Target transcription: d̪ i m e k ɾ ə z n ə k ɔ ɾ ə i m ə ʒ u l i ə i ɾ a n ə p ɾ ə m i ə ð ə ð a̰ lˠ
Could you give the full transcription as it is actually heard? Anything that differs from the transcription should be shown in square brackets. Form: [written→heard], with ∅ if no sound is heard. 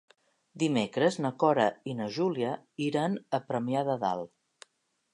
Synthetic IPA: d̪ i m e k ɾ ə z n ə k ɔ ɾ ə i [m→n] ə ʒ u l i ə i ɾ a n ə p ɾ ə m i [ə→a] ð ə ð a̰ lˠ